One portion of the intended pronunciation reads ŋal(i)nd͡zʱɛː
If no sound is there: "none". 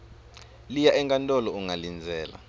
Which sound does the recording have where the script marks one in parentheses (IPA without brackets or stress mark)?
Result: i